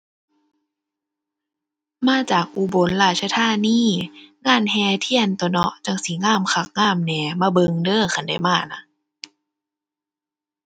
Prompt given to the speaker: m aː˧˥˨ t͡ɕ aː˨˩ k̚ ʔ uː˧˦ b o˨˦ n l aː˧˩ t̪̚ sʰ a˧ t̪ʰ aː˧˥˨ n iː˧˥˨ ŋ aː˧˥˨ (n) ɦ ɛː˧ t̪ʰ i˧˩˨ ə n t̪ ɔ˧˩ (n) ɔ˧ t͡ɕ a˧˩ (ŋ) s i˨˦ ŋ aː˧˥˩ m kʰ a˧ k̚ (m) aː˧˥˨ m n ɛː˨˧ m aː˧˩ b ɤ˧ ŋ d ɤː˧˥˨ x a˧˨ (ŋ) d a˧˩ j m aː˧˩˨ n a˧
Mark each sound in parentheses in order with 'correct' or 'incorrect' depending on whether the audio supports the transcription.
correct, correct, correct, incorrect, incorrect

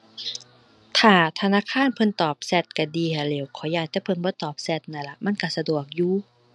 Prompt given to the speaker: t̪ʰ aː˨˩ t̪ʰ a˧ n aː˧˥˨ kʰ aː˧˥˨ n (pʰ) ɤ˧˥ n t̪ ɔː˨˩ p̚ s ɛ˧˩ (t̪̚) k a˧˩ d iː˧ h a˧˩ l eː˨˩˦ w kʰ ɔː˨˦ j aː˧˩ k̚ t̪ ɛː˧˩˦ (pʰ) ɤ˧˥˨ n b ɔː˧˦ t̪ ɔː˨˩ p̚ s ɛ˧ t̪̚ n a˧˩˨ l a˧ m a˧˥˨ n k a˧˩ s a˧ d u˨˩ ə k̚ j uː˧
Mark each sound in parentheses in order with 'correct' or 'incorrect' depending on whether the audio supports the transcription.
correct, correct, correct

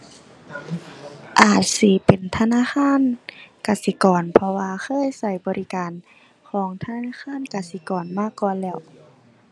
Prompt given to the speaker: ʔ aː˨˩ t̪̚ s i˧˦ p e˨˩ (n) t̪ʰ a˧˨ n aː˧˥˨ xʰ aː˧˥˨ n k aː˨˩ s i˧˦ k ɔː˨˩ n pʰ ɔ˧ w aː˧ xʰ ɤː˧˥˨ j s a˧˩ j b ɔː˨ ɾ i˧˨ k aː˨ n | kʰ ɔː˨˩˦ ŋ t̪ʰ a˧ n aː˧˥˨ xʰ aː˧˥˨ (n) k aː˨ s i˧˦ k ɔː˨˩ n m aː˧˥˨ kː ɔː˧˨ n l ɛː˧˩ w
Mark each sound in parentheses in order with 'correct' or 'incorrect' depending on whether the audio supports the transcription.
correct, correct

